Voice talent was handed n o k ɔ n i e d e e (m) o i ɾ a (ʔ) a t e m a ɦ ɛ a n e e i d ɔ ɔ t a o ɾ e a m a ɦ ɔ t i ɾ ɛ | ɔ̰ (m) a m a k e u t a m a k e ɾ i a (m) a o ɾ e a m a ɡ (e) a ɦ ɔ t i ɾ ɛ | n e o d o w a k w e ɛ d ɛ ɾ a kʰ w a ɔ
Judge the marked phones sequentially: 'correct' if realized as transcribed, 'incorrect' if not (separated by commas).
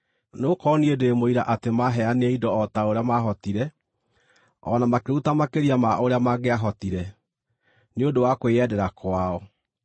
correct, correct, incorrect, correct, correct